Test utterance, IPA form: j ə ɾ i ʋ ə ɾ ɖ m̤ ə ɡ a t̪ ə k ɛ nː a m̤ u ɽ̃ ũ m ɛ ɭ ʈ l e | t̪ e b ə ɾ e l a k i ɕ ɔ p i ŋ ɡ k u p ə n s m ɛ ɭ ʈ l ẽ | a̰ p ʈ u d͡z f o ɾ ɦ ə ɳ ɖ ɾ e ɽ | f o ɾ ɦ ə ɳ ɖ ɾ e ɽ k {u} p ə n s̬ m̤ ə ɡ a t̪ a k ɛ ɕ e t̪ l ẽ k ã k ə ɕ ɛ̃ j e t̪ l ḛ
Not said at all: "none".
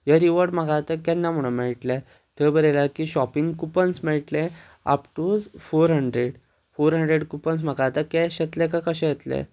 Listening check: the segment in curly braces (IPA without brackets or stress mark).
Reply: u